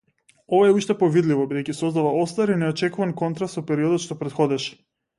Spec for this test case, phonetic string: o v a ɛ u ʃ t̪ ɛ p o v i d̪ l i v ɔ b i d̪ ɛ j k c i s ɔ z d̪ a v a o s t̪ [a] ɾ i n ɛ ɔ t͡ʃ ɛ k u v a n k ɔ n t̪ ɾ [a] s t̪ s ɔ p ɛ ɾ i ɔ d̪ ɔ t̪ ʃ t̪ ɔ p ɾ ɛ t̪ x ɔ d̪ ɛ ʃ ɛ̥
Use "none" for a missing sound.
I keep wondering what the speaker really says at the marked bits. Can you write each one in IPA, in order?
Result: a, a

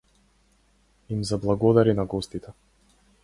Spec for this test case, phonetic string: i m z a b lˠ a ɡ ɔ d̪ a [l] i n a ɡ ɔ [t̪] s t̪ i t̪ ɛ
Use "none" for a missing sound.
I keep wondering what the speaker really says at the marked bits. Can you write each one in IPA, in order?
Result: ɾ, none

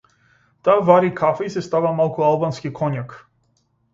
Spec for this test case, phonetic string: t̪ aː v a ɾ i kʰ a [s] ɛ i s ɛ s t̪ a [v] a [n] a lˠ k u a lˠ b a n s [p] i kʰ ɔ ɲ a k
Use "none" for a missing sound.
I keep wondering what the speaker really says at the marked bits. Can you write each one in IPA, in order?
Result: f, v, m, k

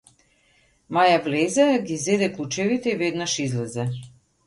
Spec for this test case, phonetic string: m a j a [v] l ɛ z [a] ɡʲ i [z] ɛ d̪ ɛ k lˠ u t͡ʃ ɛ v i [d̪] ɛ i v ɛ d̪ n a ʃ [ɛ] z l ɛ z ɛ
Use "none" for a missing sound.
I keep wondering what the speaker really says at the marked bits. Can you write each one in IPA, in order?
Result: v, ɛ, z, t̪, i

